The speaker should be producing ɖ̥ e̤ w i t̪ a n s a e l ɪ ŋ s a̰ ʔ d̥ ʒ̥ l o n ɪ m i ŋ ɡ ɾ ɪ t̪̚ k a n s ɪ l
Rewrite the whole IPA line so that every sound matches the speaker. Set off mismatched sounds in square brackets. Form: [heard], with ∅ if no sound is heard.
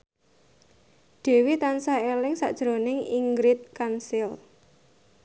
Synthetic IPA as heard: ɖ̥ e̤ w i t̪ a n s a e l ɪ ŋ s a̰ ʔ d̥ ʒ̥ [ɾ] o n ɪ [ŋ] i ŋ ɡ ɾ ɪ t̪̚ k a n s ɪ l